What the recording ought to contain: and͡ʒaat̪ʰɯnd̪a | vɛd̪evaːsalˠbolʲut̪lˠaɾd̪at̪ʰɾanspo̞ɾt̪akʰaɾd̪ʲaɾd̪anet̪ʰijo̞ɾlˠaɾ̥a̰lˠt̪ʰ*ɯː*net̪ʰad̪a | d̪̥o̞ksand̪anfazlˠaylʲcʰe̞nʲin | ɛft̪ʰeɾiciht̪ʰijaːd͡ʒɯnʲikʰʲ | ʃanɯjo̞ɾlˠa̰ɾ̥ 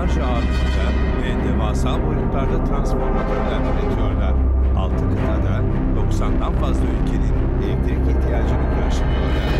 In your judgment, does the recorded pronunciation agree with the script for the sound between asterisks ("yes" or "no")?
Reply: no